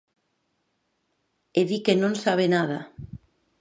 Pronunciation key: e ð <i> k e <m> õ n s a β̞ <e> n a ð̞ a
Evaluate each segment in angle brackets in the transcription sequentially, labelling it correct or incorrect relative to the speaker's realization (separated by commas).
correct, incorrect, correct